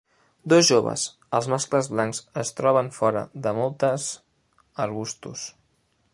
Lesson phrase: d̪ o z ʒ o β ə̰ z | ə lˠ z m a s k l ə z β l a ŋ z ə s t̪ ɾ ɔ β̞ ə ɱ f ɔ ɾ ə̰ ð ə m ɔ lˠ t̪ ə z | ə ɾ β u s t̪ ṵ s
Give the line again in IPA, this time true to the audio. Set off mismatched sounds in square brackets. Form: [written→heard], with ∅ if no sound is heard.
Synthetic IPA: d̪ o z ʒ o β ə̰ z | ə lˠ z m a s k l ə z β l a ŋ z ə s t̪ ɾ ɔ β̞ ə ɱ f ɔ ɾ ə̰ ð ə m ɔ lˠ t̪ ə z | ə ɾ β u s t̪ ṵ s